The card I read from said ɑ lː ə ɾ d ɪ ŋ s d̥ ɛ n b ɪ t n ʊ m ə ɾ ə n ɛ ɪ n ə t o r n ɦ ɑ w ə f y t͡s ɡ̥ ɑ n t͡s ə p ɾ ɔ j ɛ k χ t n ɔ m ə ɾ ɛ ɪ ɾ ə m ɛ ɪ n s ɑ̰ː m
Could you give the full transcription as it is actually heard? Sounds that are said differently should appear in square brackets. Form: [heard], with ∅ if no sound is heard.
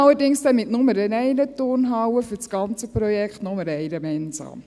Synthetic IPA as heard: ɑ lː ə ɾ d ɪ ŋ s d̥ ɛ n [m] ɪ t n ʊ m ə ɾ ə n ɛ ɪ n ə t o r n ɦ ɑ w ə f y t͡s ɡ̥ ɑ n t͡s ə p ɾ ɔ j ɛ k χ t n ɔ m ə ɾ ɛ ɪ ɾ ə m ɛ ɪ n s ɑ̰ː m